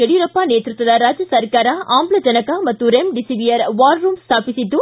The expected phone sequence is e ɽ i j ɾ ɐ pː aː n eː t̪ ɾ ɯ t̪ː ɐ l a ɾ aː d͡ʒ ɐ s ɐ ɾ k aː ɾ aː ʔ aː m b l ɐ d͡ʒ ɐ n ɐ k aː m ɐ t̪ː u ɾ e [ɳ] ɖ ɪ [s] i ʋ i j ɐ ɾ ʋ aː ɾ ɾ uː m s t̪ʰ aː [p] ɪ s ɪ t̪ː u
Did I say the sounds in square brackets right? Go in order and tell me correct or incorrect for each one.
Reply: incorrect: m, correct, correct

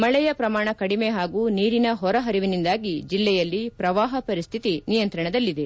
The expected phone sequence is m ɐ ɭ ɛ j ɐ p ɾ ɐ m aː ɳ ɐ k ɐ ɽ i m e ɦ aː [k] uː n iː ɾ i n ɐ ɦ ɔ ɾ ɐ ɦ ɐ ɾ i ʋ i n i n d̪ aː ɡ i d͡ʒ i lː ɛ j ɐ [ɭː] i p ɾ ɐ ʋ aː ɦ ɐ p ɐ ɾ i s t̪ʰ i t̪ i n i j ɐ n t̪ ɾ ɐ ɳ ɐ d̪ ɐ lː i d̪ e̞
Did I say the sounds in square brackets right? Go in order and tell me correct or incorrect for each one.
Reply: incorrect: ɡ, incorrect: lː

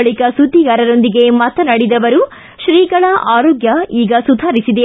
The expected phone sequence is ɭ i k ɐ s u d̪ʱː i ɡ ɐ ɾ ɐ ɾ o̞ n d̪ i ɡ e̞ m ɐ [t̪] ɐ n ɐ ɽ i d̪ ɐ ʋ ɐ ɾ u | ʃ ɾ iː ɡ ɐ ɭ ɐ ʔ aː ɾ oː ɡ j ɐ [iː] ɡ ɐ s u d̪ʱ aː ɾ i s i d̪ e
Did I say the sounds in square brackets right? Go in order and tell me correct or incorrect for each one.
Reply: correct, correct

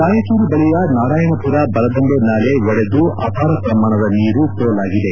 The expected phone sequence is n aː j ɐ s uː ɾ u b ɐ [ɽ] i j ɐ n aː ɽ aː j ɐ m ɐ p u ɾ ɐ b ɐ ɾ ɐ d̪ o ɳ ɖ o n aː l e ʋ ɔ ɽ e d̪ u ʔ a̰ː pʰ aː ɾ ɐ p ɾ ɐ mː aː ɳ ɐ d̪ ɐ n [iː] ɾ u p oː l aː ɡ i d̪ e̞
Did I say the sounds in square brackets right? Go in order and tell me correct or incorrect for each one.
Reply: incorrect: ɭ, correct

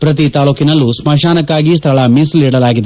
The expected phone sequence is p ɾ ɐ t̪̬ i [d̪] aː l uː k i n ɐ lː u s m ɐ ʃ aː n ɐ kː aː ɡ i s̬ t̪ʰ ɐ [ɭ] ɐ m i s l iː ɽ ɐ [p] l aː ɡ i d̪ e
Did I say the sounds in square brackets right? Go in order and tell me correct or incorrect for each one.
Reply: incorrect: t̪, correct, incorrect: none

